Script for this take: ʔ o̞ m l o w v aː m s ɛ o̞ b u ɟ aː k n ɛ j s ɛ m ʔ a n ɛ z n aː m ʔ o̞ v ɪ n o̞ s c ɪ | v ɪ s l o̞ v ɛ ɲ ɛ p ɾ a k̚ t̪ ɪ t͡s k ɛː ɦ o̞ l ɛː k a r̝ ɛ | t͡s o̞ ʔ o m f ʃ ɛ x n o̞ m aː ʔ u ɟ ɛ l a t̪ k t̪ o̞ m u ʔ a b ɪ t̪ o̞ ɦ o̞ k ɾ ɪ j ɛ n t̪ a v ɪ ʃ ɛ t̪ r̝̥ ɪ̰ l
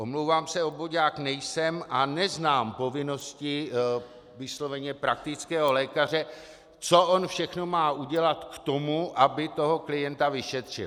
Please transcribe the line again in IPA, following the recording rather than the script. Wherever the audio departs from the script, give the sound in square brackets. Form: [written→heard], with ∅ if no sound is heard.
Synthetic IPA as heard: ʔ o̞ m l o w v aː m s ɛ o̞ b [u→o] ɟ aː k n ɛ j s ɛ m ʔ a n ɛ z n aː m [ʔ→p] o̞ v ɪ n o̞ s c ɪ | v ɪ s l o̞ v ɛ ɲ ɛ p ɾ a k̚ t̪ ɪ t͡s k ɛː ɦ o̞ l ɛː k a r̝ ɛ | t͡s o̞ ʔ o [m→n] f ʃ ɛ x n o̞ m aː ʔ u ɟ ɛ l a t̪ k t̪ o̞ m u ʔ a b ɪ t̪ o̞ ɦ o̞ k [ɾ→l] ɪ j ɛ n t̪ a v ɪ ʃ ɛ t̪ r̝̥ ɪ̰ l